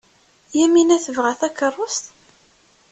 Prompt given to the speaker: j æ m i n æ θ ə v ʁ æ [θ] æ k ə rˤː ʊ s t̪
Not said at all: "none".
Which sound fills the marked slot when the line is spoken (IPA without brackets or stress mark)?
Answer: θ